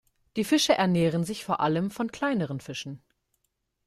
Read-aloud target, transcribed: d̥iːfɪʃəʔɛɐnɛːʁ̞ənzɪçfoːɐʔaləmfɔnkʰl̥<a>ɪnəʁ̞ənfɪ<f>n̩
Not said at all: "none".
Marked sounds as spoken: a, ʃ

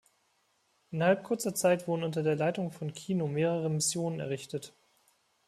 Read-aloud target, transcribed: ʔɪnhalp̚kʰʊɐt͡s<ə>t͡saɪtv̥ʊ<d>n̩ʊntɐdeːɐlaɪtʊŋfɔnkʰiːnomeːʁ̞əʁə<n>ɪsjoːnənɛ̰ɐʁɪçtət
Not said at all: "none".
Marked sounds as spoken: ɐ, d, m

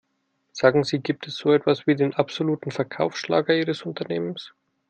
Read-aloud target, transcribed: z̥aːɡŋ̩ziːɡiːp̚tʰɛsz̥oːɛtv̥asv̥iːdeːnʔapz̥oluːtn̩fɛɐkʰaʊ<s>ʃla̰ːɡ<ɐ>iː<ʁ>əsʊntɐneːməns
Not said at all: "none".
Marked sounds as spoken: f, ɐ, ʁ

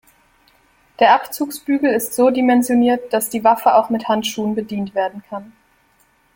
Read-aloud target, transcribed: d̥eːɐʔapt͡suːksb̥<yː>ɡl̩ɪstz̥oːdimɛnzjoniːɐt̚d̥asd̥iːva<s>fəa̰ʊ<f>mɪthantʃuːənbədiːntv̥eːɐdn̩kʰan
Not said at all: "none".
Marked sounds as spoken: yː, none, x

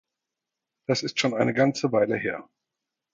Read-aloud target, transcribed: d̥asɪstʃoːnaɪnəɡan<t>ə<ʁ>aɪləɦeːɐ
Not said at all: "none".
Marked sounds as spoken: t͡s, v

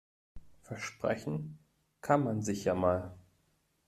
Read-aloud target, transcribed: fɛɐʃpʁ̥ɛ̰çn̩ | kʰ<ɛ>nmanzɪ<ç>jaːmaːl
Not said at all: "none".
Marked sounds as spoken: a, ç

